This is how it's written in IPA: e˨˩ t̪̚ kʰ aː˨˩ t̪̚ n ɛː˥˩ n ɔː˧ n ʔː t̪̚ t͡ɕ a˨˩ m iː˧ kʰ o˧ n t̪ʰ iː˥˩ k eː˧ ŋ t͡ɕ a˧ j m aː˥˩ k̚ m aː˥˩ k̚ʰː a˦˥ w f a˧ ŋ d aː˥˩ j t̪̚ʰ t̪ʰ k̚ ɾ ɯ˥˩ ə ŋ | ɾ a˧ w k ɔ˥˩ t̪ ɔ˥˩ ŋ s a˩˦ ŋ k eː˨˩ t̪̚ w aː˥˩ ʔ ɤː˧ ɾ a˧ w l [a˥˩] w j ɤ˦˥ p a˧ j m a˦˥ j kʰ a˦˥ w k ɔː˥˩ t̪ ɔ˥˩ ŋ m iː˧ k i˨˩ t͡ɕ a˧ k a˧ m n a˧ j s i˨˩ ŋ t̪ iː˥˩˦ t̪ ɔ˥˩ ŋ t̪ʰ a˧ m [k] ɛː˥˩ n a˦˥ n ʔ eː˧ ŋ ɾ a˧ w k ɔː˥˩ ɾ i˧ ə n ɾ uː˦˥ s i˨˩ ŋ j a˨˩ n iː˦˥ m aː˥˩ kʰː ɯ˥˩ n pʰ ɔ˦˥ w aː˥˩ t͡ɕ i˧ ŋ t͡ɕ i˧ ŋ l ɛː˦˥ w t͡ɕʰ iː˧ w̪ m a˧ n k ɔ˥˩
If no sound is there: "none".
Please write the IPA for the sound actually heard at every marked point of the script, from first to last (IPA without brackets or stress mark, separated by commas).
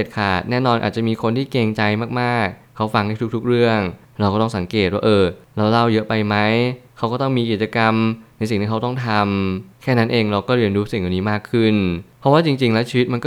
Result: a˥˩, kʰ